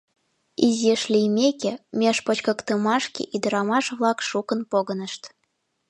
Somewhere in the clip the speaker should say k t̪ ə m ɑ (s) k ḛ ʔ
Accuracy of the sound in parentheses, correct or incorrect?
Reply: incorrect